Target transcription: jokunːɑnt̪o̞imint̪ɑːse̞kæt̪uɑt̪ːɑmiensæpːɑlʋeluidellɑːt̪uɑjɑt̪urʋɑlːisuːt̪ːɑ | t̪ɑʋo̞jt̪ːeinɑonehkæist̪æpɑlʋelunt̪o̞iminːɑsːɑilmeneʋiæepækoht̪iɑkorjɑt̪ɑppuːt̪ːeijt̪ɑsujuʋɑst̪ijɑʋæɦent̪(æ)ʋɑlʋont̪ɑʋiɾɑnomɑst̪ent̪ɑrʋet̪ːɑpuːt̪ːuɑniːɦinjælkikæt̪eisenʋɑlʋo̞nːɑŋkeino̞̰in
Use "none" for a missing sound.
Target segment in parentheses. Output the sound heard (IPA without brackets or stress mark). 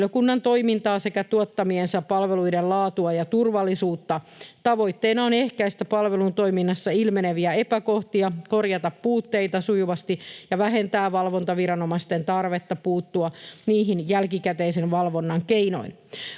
æː